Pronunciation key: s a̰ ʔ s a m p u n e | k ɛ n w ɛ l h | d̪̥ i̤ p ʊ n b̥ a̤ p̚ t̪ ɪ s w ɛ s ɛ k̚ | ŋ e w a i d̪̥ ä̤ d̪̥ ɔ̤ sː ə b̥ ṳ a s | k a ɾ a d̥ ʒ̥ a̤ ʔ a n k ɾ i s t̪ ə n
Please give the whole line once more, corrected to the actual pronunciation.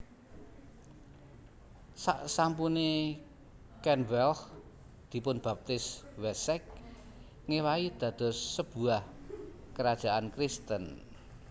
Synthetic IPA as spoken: s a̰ ʔ s a m p u n e | k ɛ n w ɛ l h | d̪̥ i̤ p ʊ n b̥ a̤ p̚ t̪ ɪ s w ɛ s ɛ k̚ | ŋ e w a i d̪̥ ä̤ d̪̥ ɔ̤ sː ə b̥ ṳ a h | k ə ɾ a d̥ ʒ̥ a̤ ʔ a n k ɾ i s t̪ ə n

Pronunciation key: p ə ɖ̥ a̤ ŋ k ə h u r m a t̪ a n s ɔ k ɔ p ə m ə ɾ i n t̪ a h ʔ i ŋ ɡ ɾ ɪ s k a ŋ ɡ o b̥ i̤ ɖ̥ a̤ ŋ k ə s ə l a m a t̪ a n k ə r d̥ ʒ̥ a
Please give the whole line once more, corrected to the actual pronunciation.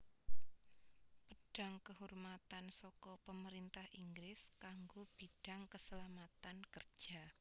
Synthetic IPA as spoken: p ə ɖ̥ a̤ ŋ k ə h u r m a t̪ a n s ɔ k ɔ p ə m ə ɾ i n t̪ a h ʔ i ŋ ɡ ɾ ɪ s k a ŋ ɡ o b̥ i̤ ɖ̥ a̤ ŋ k ə s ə l a m a t̪ a n k ə r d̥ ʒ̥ a

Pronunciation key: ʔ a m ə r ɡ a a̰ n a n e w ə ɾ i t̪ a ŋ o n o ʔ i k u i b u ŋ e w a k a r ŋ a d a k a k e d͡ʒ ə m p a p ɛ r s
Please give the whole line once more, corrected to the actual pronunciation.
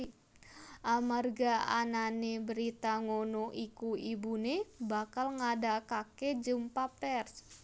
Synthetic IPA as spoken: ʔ a m a r ɡ a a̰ n a n e b ə ɾ i t̪ a ŋ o n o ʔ i k u i b u n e b a k a l ŋ a d a k a k e d͡ʒ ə m p a p ɛ r s

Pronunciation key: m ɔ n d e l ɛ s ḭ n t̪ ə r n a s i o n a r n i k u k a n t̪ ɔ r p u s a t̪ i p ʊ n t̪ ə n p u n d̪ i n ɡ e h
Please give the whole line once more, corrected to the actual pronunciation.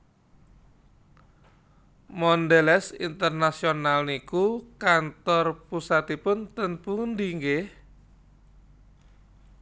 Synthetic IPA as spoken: m ɔ n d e l ɛ s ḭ n t̪ ə r n a s i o n a l n i k u k a n t̪ ɔ r p u s a t̪ i p ʊ n t̪ ə n p u n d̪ i ŋ ɡ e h

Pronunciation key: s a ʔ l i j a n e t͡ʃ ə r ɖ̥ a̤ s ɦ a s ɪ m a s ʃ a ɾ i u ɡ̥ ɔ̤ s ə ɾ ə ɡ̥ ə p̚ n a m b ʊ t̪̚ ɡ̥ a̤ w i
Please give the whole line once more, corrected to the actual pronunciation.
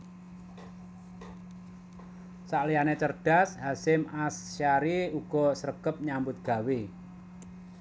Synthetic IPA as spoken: s a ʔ l i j a n e t͡ʃ ə r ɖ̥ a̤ s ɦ a s ɪ m a s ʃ a ɾ i u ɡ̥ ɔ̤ s ə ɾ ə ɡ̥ ə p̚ ɲ a m b ʊ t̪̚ ɡ̥ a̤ w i

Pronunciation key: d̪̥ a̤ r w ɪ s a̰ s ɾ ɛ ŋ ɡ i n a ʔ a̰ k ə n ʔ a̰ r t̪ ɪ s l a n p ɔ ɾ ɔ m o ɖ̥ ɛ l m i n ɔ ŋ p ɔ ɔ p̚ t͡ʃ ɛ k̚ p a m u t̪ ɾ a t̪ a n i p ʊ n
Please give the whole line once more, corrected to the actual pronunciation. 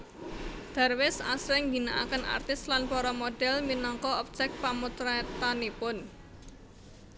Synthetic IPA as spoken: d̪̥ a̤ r w ɪ s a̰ s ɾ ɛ ŋ ɡ i n a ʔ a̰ k ə n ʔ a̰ r t̪ ɪ s l a n p ɔ ɾ ɔ m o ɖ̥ ɛ l m i n ɔ ŋ k ɔ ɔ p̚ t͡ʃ ɛ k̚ p a m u t̪ ɾ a t̪ a n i p ʊ n

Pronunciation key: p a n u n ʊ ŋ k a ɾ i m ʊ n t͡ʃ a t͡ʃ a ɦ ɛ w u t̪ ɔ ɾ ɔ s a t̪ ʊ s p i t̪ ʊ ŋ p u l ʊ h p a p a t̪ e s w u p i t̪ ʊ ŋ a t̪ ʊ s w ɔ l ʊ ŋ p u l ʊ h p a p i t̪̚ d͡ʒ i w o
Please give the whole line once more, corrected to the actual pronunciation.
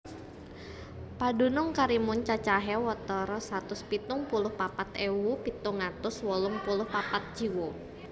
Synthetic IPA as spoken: p a d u n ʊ ŋ k a ɾ i m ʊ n t͡ʃ a t͡ʃ a ɦ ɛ w ɔ t̪ ɔ ɾ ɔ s a t̪ ʊ s p i t̪ ʊ ŋ p u l ʊ h p a p a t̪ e w u p i t̪ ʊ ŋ a t̪ ʊ s w ɔ l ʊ ŋ p u l ʊ h p a p a t̪̚ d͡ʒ i w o

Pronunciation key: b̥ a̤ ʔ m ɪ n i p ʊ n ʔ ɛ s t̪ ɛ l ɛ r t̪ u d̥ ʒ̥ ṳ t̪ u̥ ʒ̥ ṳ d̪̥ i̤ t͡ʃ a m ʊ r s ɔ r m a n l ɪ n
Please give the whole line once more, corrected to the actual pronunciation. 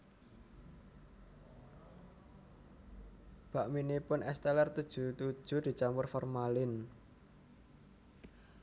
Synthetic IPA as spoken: b̥ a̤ ʔ m i n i p ʊ n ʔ ɛ s t̪ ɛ l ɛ r t̪ u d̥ ʒ̥ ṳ t̪ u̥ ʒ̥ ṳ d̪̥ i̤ t͡ʃ a m ʊ r f ɔ r m a l ɪ n

